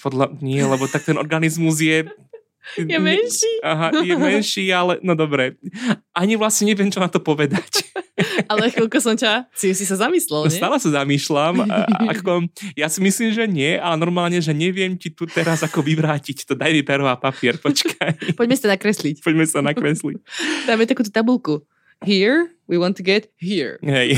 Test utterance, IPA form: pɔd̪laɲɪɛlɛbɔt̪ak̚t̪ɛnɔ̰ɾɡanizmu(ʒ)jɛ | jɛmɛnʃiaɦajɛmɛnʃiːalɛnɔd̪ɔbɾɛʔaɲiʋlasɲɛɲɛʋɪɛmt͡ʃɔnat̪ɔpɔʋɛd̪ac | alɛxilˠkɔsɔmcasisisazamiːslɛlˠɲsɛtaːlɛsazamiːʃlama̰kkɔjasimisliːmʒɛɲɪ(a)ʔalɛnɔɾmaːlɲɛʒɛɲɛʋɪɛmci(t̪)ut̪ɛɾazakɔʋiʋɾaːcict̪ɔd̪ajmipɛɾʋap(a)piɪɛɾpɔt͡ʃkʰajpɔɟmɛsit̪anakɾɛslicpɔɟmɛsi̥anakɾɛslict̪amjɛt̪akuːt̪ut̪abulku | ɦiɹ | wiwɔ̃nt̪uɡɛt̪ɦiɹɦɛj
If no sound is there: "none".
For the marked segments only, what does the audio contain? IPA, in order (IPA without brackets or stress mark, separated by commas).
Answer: z, ɛ, t̪, a